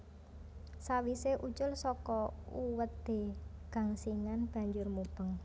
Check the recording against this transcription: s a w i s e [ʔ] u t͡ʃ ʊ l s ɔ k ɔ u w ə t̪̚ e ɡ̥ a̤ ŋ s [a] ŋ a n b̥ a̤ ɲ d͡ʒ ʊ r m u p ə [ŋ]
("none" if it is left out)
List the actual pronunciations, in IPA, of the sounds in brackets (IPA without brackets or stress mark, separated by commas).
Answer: ʔ, i, ŋ